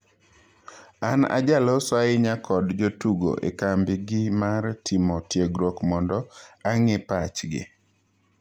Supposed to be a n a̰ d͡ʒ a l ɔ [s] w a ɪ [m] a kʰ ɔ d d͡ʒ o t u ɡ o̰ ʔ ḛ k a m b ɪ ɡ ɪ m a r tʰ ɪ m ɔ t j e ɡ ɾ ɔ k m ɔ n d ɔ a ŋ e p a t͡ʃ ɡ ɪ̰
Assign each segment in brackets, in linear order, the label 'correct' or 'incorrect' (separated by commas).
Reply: correct, incorrect